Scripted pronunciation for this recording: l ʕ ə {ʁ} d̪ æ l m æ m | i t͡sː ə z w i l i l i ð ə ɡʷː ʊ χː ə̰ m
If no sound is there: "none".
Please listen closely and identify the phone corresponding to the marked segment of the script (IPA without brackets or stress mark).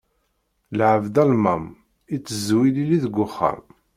v